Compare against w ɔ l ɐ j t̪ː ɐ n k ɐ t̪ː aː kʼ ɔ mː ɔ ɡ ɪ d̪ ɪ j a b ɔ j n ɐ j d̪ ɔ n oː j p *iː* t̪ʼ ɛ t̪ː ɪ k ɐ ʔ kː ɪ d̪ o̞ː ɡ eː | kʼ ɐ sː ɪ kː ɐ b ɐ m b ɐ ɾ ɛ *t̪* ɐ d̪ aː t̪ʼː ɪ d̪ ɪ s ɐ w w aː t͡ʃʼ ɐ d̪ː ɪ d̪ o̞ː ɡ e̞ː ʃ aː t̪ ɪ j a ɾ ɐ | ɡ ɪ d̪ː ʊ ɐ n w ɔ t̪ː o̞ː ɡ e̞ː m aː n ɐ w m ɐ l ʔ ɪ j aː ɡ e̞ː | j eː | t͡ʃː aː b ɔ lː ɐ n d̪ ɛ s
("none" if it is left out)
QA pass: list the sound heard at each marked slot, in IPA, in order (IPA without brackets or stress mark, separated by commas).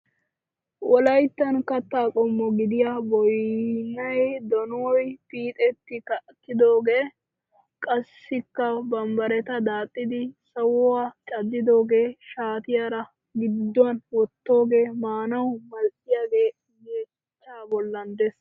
iː, t̪